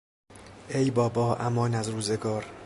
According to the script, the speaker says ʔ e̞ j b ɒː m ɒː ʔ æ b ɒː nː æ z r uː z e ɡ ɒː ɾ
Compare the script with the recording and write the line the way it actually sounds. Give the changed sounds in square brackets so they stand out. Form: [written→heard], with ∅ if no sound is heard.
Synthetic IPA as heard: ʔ e̞ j b ɒː [m→b] ɒː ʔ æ [b→m] ɒː [nː→n] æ z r uː z e ɡ ɒː ɾ